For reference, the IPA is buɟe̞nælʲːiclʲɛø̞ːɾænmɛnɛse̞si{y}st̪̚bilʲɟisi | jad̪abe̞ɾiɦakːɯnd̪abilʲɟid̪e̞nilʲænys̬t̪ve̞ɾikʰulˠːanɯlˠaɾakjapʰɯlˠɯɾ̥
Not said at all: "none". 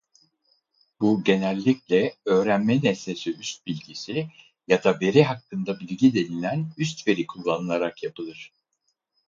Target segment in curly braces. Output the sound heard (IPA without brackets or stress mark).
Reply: y